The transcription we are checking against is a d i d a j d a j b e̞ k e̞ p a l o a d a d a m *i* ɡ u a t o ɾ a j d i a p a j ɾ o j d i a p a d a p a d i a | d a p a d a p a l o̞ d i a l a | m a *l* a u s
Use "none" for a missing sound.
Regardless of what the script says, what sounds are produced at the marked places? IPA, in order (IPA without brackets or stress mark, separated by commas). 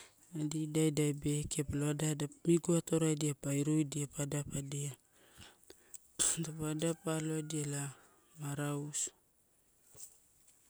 i, ɾ